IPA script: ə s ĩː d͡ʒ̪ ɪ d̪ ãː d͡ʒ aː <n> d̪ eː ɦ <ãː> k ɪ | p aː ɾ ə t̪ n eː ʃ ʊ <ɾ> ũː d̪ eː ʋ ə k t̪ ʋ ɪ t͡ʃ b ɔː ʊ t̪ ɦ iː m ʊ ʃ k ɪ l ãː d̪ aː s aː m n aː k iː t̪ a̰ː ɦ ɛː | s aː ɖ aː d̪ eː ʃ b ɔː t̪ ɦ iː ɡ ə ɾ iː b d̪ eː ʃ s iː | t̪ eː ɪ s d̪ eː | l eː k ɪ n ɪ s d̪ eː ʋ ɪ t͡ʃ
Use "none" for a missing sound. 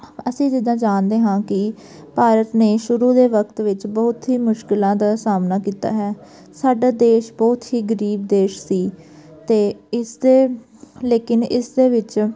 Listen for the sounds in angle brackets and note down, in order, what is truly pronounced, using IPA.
n, ãː, ɾ

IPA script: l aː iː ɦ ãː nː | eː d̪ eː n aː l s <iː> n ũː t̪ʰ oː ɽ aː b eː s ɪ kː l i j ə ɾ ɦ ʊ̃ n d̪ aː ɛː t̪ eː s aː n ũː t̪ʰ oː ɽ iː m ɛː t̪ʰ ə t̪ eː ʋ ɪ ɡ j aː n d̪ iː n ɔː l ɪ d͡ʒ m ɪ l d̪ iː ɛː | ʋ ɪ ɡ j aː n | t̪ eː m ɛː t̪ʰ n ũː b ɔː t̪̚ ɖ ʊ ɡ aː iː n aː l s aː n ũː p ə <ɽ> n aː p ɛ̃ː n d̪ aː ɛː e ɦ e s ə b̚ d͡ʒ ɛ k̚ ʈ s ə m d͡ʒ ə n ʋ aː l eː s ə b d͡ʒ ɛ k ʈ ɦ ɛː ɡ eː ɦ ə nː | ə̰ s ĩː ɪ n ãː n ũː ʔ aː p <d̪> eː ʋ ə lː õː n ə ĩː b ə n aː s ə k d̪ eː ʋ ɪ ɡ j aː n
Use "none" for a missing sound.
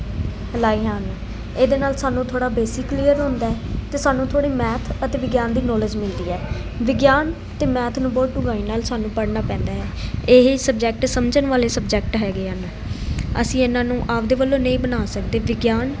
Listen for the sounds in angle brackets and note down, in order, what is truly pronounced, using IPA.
aː, ɽ, d̪

